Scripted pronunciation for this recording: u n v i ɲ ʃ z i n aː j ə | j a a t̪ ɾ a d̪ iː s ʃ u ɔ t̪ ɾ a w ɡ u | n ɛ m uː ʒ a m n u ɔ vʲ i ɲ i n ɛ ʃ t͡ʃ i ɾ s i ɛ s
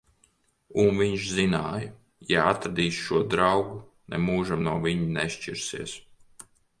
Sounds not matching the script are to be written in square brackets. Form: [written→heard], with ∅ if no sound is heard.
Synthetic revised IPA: u n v i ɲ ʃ z i n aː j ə | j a a t̪ ɾ a d̪ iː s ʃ u ɔ [t̪→d̪] ɾ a w ɡ u | n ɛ m uː ʒ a m n u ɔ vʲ i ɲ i n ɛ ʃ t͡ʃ i ɾ s i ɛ s